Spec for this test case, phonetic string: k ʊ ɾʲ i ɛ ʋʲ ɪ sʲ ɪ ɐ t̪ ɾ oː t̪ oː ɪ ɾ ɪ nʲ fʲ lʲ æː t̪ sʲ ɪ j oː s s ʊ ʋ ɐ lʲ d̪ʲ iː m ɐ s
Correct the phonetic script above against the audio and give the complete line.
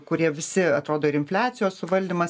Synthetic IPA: k ʊ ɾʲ i ɛ ʋʲ ɪ sʲ ɪ ɐ t̪ ɾ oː d̪ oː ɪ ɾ ɪ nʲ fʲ lʲ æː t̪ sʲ ɪ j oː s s ʊ ʋ ɐ lʲ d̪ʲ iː m ɐ s